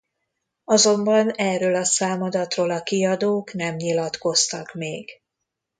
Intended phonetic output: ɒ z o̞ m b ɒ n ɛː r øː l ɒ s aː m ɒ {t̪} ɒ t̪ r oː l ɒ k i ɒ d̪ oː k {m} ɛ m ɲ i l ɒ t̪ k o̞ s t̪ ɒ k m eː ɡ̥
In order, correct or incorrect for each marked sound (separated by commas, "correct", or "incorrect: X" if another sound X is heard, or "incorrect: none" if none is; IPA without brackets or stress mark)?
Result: incorrect: d̪, incorrect: n